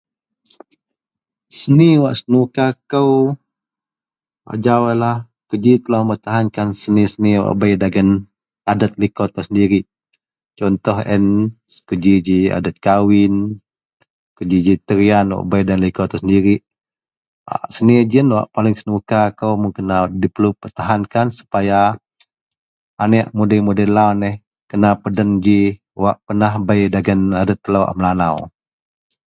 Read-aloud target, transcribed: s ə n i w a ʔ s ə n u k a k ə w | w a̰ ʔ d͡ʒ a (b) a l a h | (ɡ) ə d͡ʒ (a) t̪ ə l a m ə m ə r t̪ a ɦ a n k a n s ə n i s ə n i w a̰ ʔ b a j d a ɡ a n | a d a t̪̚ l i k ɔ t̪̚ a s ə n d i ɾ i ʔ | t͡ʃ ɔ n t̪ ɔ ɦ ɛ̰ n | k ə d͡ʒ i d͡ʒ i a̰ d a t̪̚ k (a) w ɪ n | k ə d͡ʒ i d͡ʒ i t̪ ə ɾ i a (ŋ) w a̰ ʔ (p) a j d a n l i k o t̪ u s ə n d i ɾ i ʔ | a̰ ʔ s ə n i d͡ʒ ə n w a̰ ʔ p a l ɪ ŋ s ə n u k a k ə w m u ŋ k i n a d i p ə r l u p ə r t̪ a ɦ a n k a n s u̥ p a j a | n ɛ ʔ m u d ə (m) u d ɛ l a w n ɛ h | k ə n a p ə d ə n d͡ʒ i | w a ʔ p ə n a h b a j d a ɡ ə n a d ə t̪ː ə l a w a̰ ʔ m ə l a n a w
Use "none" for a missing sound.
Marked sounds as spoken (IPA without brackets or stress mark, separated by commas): w, k, i, a, n, b, m